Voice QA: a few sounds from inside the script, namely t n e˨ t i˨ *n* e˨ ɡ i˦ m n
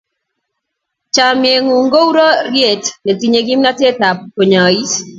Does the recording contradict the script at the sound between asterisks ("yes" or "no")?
yes